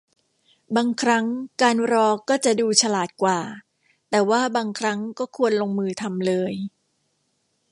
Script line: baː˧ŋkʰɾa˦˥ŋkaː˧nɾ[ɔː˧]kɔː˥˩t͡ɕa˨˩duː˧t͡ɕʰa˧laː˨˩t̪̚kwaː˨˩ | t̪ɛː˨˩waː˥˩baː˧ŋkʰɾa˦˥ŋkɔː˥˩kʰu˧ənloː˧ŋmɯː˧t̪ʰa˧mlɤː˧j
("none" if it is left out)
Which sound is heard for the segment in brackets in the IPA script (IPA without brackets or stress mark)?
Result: ɔː˧